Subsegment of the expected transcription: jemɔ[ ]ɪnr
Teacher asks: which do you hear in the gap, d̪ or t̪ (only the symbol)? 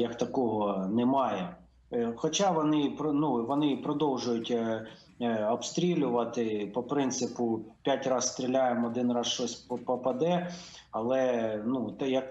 d̪